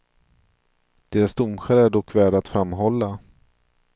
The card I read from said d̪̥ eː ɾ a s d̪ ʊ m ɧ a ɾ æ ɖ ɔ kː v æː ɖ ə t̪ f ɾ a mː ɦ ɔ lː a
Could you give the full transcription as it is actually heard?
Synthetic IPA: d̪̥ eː ɾ a s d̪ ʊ m ɧ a ɾ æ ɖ ɔ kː v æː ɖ a t̪ f ɾ a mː ɦ ɔ lː a